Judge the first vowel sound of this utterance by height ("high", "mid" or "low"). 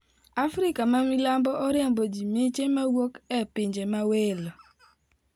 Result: low